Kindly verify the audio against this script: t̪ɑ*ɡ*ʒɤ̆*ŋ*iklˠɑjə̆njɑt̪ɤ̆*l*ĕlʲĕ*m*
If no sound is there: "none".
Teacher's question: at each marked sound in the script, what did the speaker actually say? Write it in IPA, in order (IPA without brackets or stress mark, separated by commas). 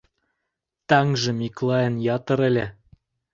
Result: ŋ, m, ɾ, none